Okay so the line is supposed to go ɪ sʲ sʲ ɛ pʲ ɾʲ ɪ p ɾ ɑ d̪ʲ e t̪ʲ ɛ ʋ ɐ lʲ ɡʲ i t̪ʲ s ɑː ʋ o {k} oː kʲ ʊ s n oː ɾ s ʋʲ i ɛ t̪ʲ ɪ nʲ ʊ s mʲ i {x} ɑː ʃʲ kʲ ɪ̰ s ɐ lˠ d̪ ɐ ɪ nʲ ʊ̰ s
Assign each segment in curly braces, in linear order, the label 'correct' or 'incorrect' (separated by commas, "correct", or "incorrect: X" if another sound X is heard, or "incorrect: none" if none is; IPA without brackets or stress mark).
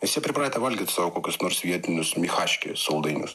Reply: correct, correct